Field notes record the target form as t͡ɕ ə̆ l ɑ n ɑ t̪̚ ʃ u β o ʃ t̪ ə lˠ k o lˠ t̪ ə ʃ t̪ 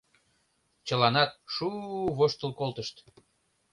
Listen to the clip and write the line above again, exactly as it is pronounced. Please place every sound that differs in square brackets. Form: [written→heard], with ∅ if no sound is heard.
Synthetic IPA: t͡ɕ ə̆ l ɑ n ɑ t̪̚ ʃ u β o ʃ t̪ ə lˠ k o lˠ t̪ ə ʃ t̪